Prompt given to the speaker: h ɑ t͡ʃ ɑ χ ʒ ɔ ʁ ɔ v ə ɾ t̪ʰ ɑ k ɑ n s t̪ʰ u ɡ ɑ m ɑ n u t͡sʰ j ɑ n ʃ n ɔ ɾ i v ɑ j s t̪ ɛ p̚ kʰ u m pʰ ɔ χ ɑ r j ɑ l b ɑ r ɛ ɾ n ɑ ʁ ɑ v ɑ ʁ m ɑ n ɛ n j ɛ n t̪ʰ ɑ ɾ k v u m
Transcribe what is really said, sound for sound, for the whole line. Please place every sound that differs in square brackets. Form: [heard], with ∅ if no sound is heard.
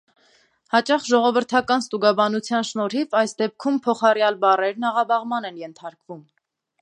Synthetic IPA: h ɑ t͡ʃ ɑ χ ʒ ɔ ʁ ɔ v ə ɾ t̪ʰ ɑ k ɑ n s [t̪] u ɡ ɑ [b] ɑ n u t͡sʰ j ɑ n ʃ n ɔ ɾ i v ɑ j s [d̪] ɛ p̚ kʰ u m pʰ ɔ χ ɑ r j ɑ l b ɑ r ɛ ɾ n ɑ ʁ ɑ [b] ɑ ʁ m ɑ n ɛ n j ɛ n t̪ʰ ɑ ɾ k v u m